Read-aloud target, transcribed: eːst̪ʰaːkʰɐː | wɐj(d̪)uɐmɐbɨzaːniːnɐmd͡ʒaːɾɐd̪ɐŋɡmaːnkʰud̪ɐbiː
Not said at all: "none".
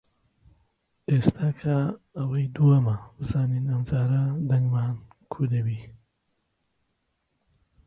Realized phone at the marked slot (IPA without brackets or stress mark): d̪